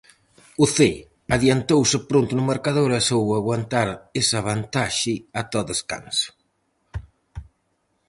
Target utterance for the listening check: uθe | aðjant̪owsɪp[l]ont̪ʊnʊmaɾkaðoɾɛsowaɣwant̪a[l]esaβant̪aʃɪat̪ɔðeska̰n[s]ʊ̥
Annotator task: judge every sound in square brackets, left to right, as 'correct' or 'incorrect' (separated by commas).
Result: incorrect, incorrect, correct